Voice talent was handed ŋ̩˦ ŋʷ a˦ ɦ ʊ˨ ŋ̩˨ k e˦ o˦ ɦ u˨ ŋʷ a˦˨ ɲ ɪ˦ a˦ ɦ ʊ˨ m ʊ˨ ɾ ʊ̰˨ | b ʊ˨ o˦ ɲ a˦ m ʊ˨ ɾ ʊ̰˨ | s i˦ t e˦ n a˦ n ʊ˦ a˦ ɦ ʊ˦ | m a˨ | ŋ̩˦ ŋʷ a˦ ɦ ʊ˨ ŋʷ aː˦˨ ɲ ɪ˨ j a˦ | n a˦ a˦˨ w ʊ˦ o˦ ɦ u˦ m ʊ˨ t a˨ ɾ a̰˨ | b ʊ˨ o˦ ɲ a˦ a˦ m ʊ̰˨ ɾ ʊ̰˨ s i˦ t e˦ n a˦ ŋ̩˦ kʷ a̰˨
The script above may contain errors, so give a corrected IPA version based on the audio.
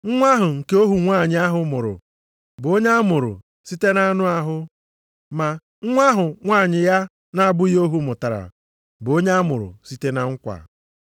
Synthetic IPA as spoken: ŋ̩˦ ŋʷ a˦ ɦ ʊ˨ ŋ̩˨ k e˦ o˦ ɦ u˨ ŋʷ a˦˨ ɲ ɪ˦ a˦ ɦ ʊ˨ m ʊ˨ ɾ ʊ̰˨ | b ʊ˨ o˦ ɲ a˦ m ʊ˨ ɾ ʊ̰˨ | s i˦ t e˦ n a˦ n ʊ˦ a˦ ɦ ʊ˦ | m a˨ | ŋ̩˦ ŋʷ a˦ ɦ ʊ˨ ŋʷ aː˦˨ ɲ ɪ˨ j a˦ | n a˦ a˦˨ b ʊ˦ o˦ ɦ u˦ m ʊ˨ t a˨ ɾ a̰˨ | b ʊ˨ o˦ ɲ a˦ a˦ m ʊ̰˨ ɾ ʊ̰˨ s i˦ t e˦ n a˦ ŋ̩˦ kʷ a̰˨